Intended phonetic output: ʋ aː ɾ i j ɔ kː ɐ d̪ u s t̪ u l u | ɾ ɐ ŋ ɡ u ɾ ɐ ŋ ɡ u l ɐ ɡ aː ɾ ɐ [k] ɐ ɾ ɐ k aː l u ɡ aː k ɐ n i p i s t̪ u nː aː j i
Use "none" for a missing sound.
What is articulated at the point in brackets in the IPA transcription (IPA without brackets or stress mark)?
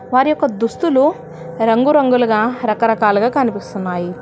k